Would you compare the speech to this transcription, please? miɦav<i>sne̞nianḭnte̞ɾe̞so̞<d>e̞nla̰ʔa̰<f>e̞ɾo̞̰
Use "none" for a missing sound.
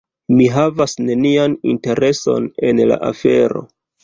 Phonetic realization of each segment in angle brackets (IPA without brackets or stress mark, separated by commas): a, n, f